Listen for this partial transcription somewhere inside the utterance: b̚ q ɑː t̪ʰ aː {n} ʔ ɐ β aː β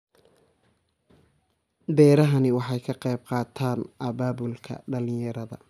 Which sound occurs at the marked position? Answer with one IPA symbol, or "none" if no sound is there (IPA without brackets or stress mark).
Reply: n